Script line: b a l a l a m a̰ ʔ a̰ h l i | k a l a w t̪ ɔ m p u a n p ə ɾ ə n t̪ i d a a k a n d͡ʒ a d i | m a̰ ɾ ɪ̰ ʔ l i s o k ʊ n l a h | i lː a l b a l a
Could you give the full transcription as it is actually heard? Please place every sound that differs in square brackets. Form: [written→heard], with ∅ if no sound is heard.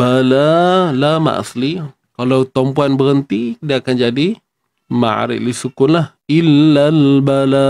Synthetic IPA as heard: b a l a l a m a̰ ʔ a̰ [h→s] l i | k a l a w t̪ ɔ m p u a n [p→b] ə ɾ ə n t̪ i d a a k a n d͡ʒ a d i | m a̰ ɾ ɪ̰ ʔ l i s [o→u] k ʊ n l a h | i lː a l b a l a